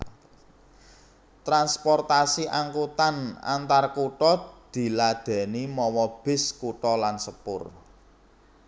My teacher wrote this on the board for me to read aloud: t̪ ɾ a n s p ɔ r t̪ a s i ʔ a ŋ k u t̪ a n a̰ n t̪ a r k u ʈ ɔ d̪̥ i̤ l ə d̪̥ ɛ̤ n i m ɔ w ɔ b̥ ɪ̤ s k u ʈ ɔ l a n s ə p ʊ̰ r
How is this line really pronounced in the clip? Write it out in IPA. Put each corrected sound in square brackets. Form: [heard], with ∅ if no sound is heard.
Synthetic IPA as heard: t̪ ɾ a n s p ɔ r t̪ a s i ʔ a ŋ k u t̪ a n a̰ n t̪ a r k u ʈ ɔ d̪̥ i̤ l [a] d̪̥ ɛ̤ n i m ɔ w ɔ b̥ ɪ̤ s k u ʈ ɔ l a n s ə p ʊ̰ r